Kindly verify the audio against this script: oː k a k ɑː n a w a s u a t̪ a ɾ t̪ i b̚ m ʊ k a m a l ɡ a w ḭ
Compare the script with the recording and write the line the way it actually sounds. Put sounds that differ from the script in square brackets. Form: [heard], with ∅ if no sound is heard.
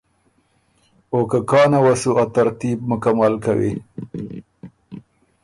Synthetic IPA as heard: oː k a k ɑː n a w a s u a t̪ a ɾ t̪ i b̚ m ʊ k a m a l [k] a w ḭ

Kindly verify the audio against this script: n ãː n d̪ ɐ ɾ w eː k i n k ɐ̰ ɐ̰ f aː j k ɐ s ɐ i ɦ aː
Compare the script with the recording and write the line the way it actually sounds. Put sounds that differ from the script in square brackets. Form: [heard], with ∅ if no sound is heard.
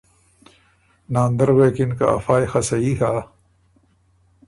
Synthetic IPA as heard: n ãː n d̪ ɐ ɾ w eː k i n k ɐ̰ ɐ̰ f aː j [x] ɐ s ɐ i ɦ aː

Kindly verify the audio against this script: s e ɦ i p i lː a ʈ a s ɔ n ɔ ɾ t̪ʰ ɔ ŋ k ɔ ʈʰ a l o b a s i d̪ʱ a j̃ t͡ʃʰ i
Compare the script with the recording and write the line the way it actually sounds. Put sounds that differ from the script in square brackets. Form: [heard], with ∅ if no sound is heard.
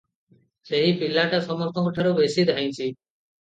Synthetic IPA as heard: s e ɦ i p i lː a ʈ a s ɔ [m] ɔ ɾ t̪ʰ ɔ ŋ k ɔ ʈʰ a [ɾ] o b [e] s i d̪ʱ a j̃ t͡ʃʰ i

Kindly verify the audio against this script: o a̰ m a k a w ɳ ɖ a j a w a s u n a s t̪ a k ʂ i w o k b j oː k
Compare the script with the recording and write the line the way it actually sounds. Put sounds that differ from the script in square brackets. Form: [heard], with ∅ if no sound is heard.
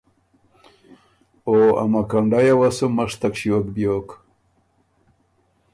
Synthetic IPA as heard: o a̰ m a k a [∅] ɳ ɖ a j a w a s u [m] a [ʂ] t̪ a k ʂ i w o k b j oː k

